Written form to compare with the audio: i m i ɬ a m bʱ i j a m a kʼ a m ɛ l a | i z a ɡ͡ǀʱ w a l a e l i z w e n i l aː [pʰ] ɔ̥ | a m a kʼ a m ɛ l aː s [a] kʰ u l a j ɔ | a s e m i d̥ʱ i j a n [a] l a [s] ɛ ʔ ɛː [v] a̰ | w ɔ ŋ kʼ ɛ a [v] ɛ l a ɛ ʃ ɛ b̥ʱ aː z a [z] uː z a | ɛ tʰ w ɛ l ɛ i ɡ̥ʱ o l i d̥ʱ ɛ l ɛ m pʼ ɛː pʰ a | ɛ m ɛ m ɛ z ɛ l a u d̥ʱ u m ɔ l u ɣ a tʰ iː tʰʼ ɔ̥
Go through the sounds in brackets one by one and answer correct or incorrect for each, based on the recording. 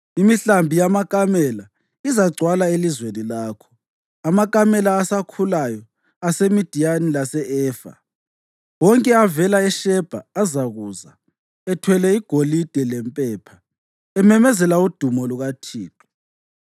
incorrect: kʰ, correct, incorrect: i, correct, incorrect: f, correct, incorrect: ɣ

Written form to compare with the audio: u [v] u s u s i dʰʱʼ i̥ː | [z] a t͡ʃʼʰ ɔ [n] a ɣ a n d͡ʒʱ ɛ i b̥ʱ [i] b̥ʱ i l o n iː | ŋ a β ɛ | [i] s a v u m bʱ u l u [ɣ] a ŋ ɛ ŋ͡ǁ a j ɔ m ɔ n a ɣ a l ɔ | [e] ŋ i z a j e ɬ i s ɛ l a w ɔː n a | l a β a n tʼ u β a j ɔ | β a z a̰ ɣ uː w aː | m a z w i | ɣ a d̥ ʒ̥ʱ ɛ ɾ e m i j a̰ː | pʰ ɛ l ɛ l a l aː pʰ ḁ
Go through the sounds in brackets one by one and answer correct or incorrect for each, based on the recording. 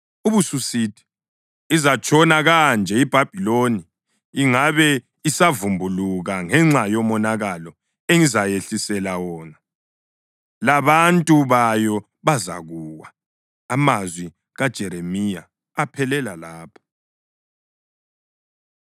incorrect: β, correct, correct, incorrect: a, correct, correct, correct

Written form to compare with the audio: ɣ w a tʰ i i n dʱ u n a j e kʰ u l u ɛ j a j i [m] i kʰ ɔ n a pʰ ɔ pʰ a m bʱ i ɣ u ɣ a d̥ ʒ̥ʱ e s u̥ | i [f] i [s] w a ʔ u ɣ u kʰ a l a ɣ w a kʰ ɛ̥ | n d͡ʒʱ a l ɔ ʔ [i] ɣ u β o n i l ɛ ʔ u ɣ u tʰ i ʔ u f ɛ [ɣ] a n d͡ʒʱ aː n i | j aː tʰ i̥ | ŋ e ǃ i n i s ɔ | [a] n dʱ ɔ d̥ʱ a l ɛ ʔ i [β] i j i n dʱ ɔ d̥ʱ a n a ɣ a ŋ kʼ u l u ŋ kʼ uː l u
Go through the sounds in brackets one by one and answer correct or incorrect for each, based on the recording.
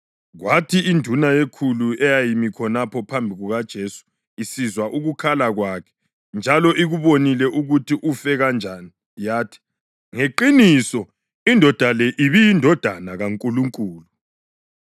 correct, incorrect: s, incorrect: z, correct, correct, incorrect: i, correct

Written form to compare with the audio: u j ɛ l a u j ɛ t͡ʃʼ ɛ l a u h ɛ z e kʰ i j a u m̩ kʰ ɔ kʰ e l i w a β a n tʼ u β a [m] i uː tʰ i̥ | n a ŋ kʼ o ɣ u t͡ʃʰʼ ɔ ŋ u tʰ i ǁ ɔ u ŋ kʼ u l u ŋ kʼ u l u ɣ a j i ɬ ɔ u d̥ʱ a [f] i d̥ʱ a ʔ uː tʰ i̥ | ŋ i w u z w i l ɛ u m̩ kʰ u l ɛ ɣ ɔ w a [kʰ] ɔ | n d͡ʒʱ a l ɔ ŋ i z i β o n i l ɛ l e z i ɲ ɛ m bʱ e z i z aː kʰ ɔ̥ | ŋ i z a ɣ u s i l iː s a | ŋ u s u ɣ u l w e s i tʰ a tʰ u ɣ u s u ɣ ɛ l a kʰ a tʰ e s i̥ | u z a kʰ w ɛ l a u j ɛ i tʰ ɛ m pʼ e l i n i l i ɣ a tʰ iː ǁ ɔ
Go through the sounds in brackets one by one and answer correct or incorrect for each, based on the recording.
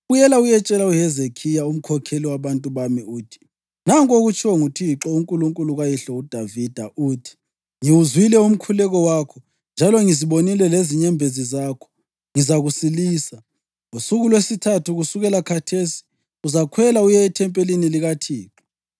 correct, incorrect: v, correct

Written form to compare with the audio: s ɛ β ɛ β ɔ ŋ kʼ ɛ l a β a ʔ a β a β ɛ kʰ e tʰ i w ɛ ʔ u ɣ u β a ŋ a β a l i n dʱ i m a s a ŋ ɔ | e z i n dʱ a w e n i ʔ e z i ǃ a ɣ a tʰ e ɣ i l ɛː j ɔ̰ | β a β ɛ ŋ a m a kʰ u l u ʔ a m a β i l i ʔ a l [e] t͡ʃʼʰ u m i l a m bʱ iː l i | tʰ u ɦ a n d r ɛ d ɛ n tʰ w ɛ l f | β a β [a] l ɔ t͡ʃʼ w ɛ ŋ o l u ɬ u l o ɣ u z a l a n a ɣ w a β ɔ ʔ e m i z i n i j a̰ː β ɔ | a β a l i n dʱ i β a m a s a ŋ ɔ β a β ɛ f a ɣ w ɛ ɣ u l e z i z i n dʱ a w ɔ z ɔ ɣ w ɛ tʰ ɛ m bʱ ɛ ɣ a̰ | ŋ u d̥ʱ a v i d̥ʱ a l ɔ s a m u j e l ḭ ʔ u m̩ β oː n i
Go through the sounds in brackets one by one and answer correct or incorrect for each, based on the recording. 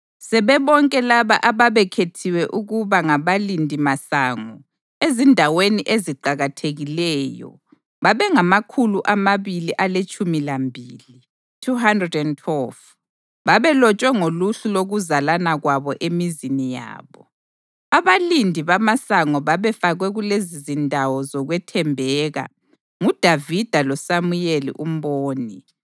correct, incorrect: ɛ

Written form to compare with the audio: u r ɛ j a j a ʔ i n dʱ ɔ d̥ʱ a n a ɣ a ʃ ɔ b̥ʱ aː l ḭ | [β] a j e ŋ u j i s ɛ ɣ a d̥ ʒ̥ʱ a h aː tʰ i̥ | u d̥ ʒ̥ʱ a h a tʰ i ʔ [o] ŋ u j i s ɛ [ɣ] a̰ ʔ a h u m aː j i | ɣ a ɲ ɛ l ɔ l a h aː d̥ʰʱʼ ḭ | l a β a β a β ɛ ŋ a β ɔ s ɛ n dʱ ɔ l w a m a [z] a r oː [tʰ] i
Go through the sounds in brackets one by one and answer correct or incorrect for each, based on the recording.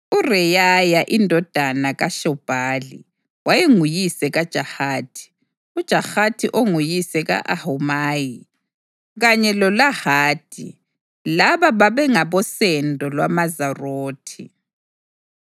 incorrect: w, correct, correct, correct, correct

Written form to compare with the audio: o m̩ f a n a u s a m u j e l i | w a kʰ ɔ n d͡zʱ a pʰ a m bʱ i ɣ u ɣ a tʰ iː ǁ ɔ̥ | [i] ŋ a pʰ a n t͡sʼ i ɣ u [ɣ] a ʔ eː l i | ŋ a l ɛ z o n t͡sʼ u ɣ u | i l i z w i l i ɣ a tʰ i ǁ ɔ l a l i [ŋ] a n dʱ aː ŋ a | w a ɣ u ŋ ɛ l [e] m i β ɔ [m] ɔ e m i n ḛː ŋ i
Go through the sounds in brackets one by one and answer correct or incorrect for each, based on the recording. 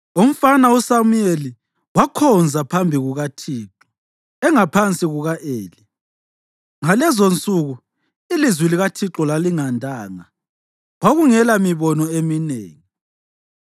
incorrect: ɛ, correct, correct, incorrect: a, incorrect: n

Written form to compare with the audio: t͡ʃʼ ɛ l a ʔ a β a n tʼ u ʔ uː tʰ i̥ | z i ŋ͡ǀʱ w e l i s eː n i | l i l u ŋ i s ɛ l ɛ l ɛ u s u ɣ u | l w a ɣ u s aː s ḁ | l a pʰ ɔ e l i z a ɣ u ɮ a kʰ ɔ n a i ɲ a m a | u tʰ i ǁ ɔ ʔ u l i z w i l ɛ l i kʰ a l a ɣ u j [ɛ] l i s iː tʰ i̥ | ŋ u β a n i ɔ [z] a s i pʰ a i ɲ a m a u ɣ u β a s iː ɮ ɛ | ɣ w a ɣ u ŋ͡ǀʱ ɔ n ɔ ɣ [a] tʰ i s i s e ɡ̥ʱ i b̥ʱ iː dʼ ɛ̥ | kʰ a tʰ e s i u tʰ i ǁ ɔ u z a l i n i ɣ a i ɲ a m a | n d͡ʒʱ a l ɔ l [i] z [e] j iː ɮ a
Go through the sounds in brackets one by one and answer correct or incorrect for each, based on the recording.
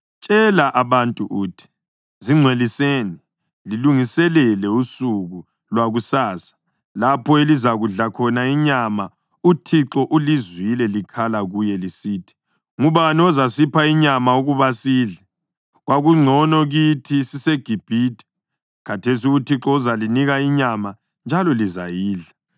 correct, correct, incorrect: i, correct, incorrect: a

